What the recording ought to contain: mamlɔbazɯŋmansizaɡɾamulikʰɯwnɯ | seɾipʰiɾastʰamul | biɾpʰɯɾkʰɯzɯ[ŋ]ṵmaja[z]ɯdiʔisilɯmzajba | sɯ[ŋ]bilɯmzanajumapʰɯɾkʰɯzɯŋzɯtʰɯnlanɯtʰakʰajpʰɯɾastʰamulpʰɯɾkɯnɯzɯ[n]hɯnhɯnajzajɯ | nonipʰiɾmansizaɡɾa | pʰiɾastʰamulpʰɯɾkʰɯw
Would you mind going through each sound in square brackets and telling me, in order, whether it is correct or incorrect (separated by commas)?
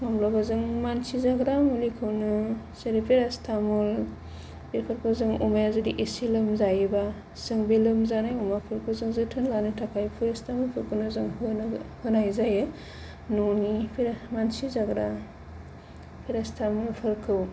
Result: correct, correct, correct, incorrect